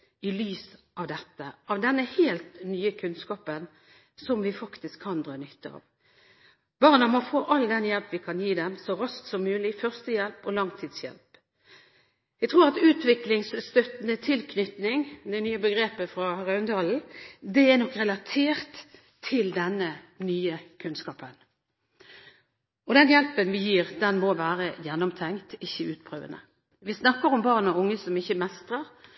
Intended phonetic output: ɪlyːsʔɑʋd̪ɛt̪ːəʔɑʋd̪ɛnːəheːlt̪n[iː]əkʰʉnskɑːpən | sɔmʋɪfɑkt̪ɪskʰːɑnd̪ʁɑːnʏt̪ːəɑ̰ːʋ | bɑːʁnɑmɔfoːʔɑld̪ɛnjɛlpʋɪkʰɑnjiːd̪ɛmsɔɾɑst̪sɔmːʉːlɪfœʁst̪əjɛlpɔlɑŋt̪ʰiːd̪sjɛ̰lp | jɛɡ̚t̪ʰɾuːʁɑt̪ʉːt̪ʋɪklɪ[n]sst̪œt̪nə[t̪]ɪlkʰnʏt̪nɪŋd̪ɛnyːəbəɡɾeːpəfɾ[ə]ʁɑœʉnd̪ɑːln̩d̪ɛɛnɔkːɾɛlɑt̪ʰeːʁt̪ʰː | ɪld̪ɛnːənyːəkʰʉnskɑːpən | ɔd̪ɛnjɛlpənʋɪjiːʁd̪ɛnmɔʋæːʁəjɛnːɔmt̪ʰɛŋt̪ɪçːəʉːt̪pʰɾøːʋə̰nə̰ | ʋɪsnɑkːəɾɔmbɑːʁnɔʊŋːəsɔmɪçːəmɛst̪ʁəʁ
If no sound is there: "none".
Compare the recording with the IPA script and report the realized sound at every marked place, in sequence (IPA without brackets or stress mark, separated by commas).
yː, ŋ, t̪ʰ, ɑ